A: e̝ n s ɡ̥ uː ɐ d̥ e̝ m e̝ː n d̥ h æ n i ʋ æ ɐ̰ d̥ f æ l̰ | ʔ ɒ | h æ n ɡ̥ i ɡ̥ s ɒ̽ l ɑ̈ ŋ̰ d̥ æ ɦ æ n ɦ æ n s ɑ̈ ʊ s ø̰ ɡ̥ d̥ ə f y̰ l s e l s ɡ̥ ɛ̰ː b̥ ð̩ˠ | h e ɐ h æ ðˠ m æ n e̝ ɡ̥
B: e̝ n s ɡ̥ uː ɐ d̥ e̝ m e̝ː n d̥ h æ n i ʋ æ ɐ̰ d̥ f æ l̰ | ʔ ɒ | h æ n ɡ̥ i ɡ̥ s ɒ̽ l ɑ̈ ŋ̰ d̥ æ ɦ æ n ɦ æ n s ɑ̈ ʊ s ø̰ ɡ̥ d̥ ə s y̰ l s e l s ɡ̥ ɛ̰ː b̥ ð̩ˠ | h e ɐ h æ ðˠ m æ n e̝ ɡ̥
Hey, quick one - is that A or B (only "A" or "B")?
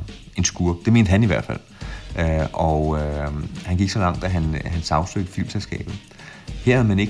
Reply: A